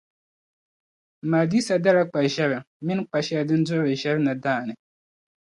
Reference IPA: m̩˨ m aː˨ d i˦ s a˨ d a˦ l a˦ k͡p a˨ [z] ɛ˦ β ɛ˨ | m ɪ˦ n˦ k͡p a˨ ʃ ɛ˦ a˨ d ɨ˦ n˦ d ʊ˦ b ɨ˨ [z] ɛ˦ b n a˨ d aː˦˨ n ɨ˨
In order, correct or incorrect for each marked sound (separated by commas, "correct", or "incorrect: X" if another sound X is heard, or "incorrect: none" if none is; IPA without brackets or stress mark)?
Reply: incorrect: ʒ, incorrect: ʒ